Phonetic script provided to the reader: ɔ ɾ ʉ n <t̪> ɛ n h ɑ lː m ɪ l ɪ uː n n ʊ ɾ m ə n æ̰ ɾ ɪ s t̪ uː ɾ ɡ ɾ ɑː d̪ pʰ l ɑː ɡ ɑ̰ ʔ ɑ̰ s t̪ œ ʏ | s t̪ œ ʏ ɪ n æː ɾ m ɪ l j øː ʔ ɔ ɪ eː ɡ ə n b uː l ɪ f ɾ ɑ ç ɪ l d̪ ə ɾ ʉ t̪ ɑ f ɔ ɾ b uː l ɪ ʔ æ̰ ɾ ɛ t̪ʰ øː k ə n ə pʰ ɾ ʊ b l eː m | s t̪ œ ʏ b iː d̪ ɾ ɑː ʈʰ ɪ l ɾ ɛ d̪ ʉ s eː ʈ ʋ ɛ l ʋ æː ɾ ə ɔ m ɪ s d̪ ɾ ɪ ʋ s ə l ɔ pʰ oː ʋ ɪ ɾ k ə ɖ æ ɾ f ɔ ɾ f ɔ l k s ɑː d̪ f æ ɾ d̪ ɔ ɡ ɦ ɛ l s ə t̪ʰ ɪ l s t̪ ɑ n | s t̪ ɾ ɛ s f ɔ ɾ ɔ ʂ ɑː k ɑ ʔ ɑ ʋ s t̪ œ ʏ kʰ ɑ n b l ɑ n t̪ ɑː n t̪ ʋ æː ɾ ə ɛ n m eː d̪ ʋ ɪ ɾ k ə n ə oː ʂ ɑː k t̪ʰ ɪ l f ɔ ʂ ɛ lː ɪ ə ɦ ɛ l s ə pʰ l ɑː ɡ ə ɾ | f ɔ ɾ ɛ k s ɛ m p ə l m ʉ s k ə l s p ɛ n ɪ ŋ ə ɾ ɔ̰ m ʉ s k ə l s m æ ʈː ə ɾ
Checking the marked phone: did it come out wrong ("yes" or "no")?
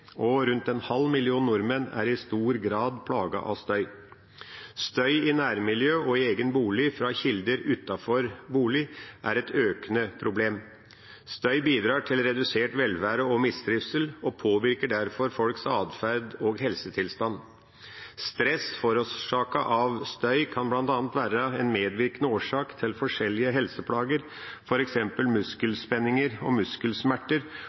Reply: no